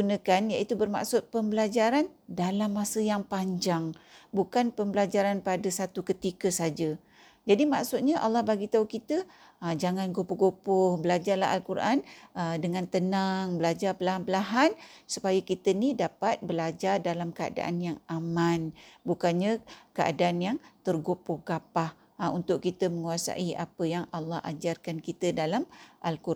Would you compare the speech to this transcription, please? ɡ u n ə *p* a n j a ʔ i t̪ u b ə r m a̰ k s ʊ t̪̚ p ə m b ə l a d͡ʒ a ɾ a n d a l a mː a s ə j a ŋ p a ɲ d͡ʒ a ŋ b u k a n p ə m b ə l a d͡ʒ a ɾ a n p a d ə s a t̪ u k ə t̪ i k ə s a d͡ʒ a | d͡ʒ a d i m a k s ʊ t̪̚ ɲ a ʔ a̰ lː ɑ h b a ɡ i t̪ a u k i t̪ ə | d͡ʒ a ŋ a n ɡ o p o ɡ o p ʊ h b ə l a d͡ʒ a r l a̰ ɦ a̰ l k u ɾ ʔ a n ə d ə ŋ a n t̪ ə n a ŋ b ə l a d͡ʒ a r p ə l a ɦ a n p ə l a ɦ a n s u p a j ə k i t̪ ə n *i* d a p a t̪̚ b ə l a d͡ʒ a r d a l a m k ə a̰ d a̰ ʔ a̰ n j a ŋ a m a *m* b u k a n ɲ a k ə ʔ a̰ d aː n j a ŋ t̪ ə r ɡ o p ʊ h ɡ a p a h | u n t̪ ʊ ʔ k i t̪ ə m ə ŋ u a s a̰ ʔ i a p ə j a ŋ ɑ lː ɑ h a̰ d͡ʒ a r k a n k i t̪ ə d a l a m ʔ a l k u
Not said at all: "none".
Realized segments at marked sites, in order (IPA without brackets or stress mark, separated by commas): k, i, n